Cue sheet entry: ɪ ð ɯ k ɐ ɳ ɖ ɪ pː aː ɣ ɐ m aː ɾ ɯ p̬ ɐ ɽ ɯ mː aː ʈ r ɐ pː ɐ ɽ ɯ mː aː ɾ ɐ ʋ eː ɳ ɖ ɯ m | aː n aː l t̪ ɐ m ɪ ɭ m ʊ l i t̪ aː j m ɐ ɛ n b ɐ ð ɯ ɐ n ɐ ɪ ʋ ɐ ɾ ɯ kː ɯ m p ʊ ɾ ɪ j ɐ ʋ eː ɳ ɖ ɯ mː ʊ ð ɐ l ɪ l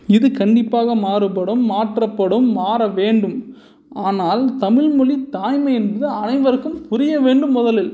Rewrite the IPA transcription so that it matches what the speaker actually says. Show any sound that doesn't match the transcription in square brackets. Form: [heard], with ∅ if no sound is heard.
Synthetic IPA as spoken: ɪ ð ɯ k ɐ ɳ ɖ ɪ pː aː ɣ ɐ m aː ɾ ɯ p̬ ɐ ɽ ɯ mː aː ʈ r ɐ pː ɐ ɽ ɯ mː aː ɾ ɐ ʋ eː ɳ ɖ ɯ m | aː n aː l t̪ ɐ m ɪ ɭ m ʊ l i t̪ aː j m ɐ ɛ n b ɐ ð ɯ ɐ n ɐ ɪ ʋ ɐ ɾ ɯ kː ɯ m p ʊ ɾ ɪ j ɐ ʋ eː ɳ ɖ ɯ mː ʊ ð ɐ l ɪ l